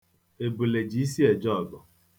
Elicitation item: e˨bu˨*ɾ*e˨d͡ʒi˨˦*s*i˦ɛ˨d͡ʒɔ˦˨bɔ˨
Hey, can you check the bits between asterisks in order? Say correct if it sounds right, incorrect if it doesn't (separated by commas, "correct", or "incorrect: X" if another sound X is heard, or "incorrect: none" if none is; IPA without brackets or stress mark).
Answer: incorrect: l, correct